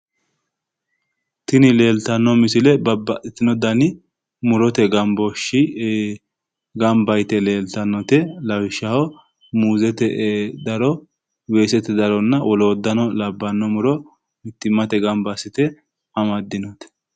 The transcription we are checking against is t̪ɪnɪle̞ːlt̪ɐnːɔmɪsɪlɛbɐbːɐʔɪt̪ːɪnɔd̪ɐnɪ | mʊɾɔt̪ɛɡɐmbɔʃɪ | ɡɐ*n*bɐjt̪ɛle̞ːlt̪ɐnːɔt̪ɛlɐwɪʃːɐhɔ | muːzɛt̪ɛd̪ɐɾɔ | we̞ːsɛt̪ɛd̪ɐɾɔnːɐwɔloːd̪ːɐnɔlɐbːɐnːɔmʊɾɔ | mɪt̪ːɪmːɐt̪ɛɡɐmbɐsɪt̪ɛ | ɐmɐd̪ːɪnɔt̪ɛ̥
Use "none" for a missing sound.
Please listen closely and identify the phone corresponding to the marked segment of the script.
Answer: m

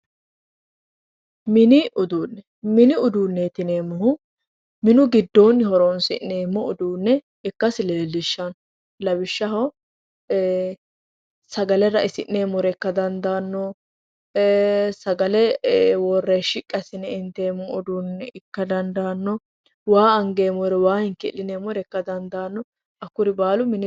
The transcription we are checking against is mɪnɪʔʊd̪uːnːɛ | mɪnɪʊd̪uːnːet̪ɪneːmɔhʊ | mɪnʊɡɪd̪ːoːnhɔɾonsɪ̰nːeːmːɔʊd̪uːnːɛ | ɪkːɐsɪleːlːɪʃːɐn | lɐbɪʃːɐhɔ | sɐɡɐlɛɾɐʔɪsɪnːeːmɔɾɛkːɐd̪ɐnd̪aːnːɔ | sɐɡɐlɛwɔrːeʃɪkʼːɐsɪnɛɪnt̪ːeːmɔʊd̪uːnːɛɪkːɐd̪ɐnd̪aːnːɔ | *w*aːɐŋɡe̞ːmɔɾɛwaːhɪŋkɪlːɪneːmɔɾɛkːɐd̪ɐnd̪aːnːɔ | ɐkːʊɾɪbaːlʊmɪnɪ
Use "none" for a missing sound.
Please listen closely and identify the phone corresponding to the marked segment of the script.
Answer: w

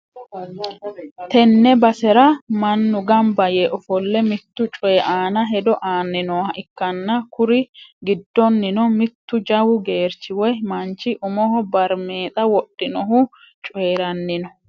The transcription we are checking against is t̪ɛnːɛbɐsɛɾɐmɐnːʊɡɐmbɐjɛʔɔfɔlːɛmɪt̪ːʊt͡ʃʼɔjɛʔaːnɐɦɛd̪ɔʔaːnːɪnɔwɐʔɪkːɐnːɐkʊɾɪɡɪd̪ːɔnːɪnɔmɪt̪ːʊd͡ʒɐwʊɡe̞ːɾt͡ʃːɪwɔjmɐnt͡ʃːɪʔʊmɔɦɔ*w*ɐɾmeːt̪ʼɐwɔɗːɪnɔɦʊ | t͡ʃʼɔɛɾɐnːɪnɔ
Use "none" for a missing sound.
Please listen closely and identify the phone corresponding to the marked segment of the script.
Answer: b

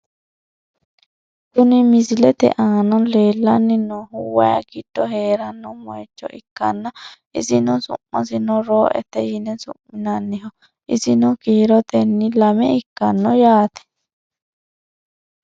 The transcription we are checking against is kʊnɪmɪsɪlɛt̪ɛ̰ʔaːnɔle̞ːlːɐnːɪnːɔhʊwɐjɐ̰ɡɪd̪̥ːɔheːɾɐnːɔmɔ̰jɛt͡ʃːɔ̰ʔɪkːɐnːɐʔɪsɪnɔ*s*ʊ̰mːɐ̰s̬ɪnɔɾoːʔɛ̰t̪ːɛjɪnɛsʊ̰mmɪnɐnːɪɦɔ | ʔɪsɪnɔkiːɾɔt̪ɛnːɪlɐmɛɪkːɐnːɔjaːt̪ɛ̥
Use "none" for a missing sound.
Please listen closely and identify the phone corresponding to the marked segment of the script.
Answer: s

